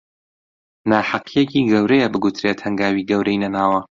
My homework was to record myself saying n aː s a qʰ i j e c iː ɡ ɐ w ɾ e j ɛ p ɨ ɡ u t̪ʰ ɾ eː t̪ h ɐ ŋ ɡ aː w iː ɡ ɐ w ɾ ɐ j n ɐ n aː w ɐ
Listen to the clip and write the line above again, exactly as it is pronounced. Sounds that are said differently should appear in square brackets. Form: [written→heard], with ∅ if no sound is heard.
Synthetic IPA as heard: n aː [s→ħ] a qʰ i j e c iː ɡ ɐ w ɾ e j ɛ [p→b] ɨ ɡ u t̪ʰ ɾ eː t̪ h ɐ ŋ ɡ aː w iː ɡ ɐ w ɾ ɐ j n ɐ n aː w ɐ